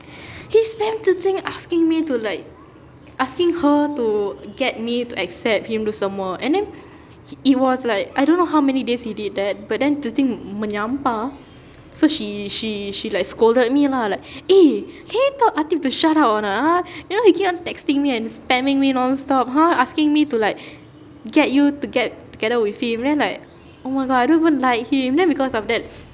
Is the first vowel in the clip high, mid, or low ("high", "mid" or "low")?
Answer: high